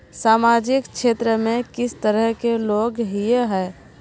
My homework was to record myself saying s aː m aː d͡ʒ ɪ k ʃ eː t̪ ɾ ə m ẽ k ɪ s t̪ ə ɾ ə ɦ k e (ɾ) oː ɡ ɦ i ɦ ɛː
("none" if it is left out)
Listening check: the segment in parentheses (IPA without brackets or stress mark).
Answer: l